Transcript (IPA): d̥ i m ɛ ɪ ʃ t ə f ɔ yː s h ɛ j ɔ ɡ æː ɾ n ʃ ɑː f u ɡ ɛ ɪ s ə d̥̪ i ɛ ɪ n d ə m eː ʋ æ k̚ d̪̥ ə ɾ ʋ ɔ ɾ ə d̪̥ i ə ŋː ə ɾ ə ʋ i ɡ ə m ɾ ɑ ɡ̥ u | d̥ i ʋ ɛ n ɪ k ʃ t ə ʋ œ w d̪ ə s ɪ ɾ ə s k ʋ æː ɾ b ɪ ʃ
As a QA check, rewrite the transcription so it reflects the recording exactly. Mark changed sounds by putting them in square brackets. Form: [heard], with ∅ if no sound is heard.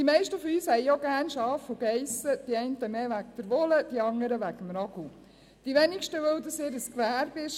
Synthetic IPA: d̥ i m ɛ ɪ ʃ t ə f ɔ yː s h ɛ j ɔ ɡ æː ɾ n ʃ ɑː f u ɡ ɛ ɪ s ə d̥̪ i ɛ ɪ n [t] ə m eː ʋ æ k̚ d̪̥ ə ɾ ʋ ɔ [l] ə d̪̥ i [ɑ] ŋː ə ɾ ə ʋ [æ] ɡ ə m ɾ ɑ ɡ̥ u | d̥ i ʋ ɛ n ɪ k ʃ t ə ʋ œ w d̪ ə s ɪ ɾ ə s k ʋ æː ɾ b ɪ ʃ

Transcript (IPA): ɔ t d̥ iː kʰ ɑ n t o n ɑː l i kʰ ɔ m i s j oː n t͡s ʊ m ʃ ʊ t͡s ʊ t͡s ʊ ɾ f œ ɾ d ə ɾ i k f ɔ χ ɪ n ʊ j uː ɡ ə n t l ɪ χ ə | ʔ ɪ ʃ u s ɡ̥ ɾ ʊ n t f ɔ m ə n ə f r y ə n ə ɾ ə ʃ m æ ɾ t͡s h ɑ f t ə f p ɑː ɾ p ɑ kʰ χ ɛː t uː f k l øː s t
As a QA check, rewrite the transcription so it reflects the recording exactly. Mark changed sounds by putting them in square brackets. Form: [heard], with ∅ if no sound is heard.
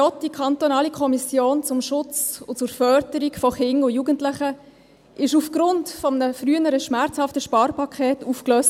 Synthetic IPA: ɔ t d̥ [i] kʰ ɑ n t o n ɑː l i kʰ ɔ m i s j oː n t͡s ʊ m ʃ ʊ t͡s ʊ t͡s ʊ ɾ f œ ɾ d ə ɾ i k f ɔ χ ɪ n ʊ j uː ɡ ə n t l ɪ χ ə | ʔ ɪ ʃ u [f] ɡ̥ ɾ ʊ n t f ɔ m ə n ə f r y ə n ə ɾ ə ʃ m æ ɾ t͡s h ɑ f t ə [ʃ] p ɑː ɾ p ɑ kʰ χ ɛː t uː f k l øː s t

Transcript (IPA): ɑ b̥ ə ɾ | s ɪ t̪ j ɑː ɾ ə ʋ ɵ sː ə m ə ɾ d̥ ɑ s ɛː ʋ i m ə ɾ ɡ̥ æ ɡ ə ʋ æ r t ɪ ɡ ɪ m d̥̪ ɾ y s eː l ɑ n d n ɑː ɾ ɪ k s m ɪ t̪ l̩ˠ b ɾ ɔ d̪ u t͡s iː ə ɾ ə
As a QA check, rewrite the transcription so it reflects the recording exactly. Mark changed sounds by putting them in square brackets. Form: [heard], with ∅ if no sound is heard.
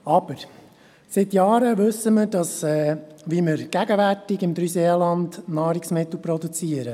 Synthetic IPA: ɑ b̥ ə ɾ | s ɪ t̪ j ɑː ɾ ə ʋ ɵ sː ə m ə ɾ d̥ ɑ s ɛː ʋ i m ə ɾ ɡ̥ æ ɡ ə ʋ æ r t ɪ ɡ ɪ m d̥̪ ɾ y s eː l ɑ n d n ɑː ɾ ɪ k s m ɪ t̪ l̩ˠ [p] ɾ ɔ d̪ u t͡s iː ə ɾ ə

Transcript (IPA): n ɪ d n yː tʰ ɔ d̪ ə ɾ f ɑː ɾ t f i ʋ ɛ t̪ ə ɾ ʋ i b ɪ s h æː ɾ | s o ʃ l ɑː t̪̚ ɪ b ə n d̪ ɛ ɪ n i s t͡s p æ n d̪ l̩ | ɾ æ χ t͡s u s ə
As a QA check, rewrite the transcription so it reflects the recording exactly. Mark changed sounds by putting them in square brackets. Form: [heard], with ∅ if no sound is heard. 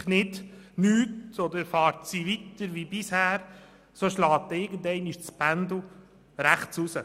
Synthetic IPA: n ɪ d n yː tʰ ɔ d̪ ə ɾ f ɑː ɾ t [s] i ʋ [i] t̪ ə ɾ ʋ i b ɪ s h æː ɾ | s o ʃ l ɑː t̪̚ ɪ [ɡ] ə n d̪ ɛ ɪ n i [ʃ] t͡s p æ n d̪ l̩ | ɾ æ χ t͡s u s ə

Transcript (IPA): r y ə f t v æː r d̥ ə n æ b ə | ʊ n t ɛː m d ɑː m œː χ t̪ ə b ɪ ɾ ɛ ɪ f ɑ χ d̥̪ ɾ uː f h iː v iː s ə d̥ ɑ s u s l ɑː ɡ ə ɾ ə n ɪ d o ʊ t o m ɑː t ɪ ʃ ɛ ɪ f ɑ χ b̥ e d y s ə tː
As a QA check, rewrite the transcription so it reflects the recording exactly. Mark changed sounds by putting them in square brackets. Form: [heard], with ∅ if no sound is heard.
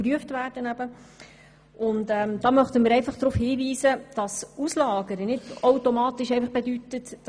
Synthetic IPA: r y ə f t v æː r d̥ ə n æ b ə | ʊ n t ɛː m d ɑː m [œ] χ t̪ ə [m] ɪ ɾ ɛ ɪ f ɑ χ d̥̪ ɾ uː f h iː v iː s ə d̥ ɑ s u s l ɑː ɡ ə ɾ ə n ɪ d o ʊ t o m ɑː t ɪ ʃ ɛ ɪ f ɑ χ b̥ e d y [t] ə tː

